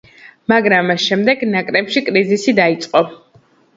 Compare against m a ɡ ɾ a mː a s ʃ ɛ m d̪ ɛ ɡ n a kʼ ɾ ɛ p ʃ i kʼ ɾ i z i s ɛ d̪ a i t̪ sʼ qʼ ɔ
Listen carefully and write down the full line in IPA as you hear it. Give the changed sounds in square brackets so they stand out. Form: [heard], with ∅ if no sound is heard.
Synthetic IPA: m a ɡ ɾ a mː a s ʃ ɛ m d̪ ɛ ɡ n a kʼ ɾ ɛ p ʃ i kʼ ɾ i z i s [i] d̪ a i t̪ sʼ qʼ ɔ